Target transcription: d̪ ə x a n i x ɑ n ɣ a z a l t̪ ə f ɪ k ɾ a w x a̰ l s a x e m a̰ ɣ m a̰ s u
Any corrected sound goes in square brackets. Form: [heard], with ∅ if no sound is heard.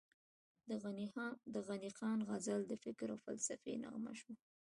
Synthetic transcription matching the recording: d̪ ə [ɣ] a n i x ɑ n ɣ a z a l [d̪] ə f ɪ k ɾ a w [f] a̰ l s a [f] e [n] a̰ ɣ m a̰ [ʃ] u